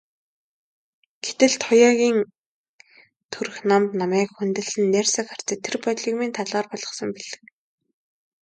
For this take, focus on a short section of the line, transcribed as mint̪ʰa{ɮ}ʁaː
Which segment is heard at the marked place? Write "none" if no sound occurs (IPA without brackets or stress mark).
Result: ɮ